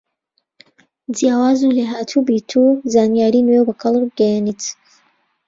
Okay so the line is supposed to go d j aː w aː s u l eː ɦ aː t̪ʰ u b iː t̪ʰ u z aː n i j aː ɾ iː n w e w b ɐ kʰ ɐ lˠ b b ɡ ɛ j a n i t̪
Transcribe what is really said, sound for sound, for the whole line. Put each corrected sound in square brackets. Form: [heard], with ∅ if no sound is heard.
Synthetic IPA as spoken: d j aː w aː [z] u l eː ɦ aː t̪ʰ u b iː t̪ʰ u z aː n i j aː ɾ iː n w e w b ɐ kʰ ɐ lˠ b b ɡ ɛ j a n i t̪

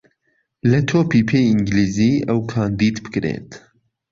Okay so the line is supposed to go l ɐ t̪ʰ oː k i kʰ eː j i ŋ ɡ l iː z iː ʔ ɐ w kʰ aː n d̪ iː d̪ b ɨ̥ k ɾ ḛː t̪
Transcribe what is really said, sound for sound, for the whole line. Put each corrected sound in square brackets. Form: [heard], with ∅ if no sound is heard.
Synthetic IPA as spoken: l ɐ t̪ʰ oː [p] i [pʰ] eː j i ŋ ɡ l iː z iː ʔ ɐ w kʰ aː n d̪ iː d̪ b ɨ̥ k ɾ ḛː t̪

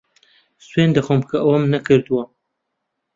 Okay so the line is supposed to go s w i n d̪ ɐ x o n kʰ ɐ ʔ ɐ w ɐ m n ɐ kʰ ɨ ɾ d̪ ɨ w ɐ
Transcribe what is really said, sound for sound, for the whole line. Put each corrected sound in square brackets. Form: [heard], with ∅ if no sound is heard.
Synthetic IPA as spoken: s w [e] n d̪ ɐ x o [m] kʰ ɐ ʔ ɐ w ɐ m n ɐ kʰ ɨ ɾ d̪ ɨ w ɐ

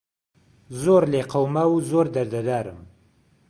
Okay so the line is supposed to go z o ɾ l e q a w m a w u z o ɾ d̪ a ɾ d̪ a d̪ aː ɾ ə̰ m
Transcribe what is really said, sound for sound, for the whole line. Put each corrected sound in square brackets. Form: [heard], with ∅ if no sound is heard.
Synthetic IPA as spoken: z o ɾ l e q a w m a w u z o ɾ d̪ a ɾ d̪ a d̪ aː ɾ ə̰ m

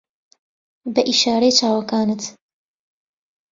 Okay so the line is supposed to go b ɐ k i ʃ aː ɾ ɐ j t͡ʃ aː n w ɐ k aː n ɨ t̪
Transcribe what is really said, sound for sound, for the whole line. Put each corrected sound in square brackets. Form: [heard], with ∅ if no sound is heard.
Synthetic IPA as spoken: b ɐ [ʔ] i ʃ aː ɾ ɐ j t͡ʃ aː [∅] w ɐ k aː n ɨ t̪

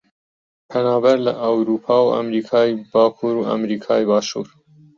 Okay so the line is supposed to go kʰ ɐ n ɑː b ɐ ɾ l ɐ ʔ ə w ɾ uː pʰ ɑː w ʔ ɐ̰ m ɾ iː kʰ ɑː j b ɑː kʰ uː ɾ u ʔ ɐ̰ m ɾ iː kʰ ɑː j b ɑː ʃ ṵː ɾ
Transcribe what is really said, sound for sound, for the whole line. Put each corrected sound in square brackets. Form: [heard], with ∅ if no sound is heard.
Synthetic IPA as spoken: [pʰ] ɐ n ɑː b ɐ ɾ l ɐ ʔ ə w ɾ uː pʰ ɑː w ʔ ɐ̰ m ɾ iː kʰ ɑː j b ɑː kʰ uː ɾ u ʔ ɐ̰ m ɾ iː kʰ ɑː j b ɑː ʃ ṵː ɾ

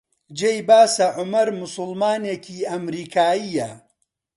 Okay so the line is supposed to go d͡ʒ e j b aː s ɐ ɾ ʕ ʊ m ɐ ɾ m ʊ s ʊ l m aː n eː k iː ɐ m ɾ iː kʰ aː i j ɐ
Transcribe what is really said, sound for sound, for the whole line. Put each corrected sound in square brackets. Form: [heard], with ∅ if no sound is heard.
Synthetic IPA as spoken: d͡ʒ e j b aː s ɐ [∅] ʕ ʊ m ɐ ɾ m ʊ s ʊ l m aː n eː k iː ɐ m ɾ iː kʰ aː i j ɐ

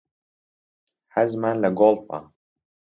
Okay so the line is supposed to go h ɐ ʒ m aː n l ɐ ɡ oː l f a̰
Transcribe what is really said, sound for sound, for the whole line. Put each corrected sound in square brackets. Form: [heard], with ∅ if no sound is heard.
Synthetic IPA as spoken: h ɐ [z] m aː n l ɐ ɡ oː l f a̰

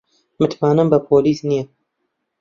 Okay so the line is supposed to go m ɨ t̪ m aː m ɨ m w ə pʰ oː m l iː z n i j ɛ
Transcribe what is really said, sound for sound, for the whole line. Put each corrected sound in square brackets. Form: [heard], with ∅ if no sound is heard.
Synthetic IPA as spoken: m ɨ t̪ m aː [n] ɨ m [b] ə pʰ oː [∅] l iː [s] n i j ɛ

